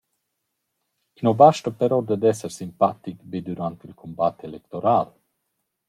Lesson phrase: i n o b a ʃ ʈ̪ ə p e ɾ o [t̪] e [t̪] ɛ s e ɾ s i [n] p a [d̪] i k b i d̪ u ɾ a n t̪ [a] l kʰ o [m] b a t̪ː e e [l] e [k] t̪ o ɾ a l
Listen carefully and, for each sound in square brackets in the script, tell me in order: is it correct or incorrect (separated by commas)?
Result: incorrect, incorrect, incorrect, incorrect, incorrect, correct, correct, correct